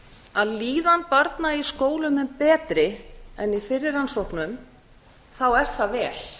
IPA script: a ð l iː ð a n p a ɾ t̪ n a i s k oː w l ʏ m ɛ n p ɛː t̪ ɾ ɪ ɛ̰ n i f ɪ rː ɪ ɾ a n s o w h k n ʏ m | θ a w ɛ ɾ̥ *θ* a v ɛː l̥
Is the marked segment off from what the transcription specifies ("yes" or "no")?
no